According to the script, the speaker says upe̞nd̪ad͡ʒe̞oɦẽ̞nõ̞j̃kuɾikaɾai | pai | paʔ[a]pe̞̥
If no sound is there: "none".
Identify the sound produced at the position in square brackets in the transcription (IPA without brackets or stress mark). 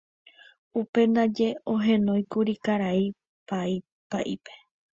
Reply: i